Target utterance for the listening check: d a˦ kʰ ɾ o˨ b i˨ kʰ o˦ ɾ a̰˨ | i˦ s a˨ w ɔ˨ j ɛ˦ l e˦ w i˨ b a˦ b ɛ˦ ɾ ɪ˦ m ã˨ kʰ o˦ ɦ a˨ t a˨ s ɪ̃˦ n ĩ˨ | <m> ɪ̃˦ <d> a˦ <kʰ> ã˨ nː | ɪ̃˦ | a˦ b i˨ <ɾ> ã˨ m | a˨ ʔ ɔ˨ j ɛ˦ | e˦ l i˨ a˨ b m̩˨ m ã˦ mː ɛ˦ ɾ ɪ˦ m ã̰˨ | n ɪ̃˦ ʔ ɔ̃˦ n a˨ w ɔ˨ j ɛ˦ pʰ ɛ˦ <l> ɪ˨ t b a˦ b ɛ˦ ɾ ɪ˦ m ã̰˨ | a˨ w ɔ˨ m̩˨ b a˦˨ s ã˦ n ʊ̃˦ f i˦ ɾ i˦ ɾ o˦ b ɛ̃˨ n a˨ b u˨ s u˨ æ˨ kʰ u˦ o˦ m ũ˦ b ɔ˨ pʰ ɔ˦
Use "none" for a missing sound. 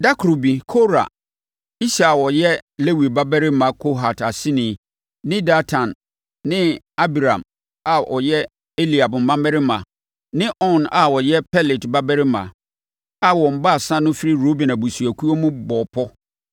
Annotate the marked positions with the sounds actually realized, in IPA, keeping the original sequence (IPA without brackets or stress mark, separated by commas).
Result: n, d, tʰ, ɾ, l